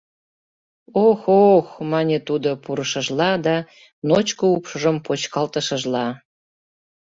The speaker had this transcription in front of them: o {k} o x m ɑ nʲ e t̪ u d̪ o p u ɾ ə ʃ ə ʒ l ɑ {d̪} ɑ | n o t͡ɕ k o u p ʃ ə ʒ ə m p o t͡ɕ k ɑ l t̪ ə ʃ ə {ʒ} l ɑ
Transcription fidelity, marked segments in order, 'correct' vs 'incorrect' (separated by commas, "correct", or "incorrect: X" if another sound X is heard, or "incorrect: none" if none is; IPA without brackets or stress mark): incorrect: x, correct, correct